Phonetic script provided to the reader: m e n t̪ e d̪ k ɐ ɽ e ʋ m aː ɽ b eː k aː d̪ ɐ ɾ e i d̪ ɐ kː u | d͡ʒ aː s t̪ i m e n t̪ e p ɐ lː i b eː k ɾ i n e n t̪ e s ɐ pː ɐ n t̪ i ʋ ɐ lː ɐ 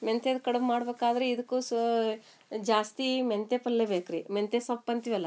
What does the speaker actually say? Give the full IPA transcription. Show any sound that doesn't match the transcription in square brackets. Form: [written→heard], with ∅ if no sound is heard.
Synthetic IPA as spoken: m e n t̪ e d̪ k ɐ ɽ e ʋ m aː ɽ b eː k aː d̪ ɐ ɾ e i d̪ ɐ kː u | d͡ʒ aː s t̪ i m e n t̪ e p ɐ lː [i→e] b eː k ɾ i [n→m] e n t̪ e s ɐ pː ɐ n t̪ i ʋ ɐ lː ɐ